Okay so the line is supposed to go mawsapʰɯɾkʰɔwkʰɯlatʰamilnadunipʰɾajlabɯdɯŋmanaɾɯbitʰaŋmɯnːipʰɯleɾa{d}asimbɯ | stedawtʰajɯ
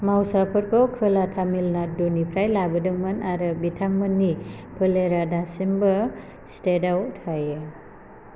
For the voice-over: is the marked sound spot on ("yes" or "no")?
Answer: yes